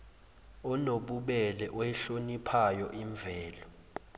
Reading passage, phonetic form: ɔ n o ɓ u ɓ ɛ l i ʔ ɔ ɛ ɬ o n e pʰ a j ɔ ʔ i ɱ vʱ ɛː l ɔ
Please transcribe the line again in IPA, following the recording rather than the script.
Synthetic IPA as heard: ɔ n o ɓ u ɓ ɛ l ɛ ʔ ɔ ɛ ɬ o n i pʰ a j ɔ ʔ i ɱ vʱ ɛː l ɔ